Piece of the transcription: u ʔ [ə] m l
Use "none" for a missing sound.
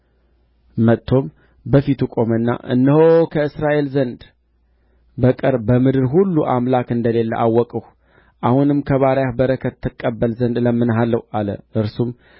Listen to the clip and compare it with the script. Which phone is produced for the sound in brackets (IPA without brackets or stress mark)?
a